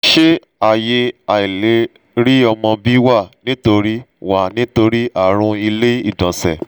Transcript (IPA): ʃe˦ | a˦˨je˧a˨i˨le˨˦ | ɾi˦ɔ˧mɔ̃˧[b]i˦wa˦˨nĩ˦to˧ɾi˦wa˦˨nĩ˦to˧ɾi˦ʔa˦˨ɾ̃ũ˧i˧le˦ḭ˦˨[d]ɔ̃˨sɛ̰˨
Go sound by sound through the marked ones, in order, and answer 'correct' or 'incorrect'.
correct, correct

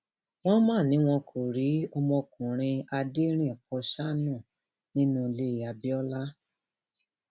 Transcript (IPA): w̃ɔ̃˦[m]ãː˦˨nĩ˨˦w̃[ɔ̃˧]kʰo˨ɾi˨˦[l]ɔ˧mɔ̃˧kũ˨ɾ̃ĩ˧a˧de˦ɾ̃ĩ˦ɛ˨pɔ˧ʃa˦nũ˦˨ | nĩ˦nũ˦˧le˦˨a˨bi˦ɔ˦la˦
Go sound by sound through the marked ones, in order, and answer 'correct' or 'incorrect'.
correct, correct, incorrect: none

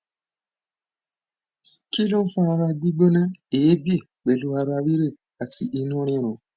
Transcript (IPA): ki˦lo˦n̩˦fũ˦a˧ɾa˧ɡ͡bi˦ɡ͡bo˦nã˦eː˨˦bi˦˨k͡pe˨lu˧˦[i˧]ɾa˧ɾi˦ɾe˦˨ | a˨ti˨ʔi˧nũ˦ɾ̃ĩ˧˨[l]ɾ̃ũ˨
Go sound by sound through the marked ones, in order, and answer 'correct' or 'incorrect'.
incorrect: a˧, incorrect: none

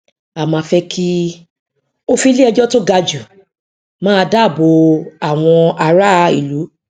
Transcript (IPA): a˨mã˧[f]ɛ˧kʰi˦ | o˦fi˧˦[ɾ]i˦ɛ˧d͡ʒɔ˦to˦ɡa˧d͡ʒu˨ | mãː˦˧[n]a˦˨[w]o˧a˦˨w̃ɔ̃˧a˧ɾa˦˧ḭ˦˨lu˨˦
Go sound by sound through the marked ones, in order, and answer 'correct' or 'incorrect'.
correct, incorrect: l, incorrect: d, incorrect: b

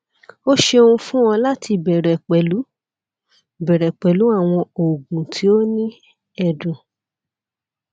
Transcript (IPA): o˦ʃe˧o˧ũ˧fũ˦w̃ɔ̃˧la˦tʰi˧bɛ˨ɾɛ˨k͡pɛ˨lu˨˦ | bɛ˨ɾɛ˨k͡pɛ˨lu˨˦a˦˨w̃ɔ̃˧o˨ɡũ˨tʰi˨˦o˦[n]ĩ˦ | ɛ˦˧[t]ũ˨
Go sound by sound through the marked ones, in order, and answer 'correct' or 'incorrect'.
correct, incorrect: d

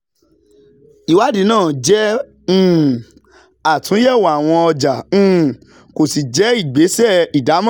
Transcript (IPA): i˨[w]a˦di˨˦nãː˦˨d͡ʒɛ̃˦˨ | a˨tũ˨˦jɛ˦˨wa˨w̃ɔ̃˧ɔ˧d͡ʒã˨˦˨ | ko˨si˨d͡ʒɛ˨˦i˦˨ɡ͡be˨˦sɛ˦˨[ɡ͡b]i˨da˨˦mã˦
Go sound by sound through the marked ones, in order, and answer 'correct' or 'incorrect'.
correct, incorrect: none

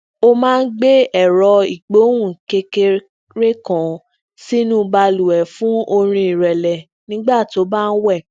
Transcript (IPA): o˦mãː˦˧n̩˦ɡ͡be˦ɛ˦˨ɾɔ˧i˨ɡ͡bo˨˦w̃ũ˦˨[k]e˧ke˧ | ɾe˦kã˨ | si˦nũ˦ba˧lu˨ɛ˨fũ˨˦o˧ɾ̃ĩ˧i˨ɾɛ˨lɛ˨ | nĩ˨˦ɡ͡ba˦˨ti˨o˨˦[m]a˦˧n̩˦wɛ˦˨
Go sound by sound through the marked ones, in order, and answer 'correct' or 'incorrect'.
correct, incorrect: b

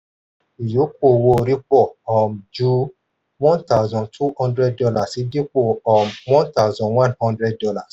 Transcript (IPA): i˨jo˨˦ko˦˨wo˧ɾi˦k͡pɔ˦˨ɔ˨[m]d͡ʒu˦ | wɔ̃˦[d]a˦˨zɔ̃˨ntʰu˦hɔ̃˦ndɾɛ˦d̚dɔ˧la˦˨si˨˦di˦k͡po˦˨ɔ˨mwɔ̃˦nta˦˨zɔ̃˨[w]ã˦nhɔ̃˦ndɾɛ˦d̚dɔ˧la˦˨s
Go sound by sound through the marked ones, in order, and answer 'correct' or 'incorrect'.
correct, incorrect: t, correct

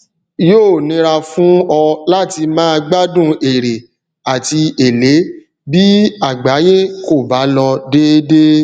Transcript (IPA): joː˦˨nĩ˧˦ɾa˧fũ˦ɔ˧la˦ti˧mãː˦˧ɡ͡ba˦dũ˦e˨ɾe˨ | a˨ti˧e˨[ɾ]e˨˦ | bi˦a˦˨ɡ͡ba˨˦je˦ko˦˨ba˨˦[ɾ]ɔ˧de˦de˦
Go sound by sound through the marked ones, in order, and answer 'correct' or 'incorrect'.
incorrect: l, incorrect: l

